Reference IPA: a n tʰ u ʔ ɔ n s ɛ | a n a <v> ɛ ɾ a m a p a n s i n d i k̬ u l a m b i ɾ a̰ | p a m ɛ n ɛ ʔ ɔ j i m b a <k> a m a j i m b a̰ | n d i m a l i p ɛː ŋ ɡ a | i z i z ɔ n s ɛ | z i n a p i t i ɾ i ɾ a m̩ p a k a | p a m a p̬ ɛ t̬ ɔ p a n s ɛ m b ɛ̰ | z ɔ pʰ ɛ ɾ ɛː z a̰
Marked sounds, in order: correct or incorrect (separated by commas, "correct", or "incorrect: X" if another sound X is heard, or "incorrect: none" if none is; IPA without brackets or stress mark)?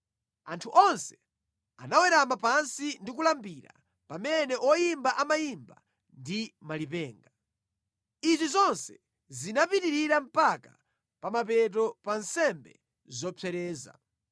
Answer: incorrect: w, incorrect: ʔ